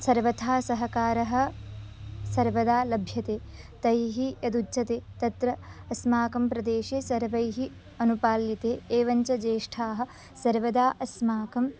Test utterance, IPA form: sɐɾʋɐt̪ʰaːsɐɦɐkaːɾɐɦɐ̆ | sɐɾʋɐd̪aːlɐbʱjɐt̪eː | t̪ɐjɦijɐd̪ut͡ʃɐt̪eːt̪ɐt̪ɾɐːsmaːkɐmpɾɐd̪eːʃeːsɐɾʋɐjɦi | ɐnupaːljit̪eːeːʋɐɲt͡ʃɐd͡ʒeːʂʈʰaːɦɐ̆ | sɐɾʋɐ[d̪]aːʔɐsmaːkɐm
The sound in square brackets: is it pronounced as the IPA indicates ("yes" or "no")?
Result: yes